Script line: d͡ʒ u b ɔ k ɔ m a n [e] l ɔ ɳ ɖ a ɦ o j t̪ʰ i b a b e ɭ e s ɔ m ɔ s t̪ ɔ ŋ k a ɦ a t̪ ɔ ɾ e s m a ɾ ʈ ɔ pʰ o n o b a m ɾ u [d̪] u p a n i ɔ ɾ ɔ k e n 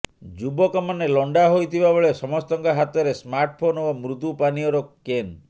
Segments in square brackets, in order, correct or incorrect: correct, incorrect

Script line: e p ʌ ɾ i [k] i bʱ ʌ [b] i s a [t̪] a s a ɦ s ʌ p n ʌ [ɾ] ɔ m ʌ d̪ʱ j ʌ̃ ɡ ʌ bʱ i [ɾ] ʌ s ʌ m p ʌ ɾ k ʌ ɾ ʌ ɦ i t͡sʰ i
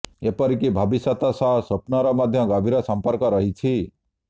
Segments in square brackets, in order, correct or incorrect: correct, correct, correct, correct, correct

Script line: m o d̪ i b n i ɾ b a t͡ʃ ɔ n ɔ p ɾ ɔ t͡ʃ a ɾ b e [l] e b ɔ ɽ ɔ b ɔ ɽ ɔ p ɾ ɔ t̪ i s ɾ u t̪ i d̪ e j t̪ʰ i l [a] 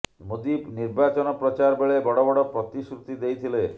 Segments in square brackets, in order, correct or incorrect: incorrect, incorrect

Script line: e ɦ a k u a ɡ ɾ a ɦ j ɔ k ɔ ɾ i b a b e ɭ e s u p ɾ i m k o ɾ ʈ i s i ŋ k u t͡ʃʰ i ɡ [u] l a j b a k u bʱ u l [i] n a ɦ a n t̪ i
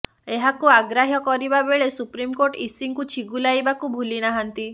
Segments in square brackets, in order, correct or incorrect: correct, correct

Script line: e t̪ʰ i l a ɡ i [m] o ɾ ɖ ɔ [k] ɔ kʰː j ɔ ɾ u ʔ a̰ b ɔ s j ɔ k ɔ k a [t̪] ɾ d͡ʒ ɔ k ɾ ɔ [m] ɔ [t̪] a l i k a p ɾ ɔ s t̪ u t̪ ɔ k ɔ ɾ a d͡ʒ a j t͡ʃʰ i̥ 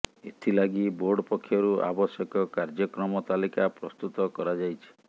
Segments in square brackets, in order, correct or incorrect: incorrect, incorrect, incorrect, correct, correct

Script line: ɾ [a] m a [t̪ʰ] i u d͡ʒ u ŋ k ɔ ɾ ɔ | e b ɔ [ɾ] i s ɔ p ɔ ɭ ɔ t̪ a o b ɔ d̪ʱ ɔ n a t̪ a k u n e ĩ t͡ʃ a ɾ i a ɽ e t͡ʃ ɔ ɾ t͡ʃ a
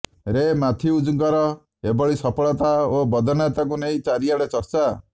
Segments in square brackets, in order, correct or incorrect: incorrect, correct, incorrect

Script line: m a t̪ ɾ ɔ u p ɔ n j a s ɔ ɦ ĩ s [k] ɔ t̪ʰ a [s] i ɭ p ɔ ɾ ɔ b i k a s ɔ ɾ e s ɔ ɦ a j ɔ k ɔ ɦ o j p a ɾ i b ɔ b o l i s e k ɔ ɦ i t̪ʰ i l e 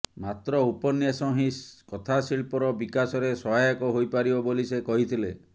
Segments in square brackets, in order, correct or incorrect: correct, correct

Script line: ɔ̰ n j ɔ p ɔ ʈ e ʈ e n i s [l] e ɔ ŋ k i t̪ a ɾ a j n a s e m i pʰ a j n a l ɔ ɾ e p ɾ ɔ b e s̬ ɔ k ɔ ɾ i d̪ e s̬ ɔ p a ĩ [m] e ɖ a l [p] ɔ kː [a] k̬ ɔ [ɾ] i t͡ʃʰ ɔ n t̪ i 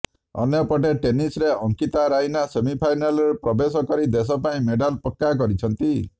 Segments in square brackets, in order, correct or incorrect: incorrect, correct, correct, correct, correct

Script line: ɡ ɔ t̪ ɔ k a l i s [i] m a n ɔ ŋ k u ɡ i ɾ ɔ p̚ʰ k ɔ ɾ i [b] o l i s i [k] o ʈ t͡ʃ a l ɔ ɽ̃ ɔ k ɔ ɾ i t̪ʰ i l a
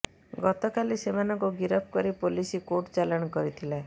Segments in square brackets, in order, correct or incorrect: incorrect, incorrect, correct

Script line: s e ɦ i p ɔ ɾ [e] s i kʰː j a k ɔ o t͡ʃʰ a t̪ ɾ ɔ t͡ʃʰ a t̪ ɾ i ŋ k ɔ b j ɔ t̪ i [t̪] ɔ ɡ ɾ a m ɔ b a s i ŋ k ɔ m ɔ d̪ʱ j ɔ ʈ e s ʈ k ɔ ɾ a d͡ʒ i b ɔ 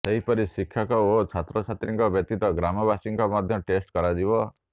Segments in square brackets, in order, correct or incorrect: incorrect, correct

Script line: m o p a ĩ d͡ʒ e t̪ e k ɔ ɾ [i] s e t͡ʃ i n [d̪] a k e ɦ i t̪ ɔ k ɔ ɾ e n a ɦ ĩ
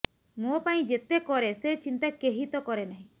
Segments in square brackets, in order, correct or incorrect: incorrect, incorrect

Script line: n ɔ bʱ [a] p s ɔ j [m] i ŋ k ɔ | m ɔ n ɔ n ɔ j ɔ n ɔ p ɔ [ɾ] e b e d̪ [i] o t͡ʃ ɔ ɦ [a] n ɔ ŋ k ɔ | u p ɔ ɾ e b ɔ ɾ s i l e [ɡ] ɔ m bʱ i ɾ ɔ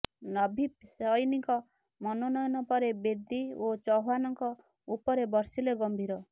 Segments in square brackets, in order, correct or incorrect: incorrect, incorrect, correct, correct, correct, correct

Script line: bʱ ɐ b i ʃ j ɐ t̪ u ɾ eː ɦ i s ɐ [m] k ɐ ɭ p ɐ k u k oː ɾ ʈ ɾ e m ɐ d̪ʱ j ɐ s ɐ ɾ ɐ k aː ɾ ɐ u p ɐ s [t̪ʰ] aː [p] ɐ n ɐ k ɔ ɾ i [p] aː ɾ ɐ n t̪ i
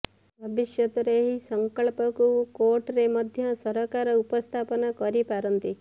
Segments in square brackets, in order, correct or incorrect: incorrect, correct, correct, correct

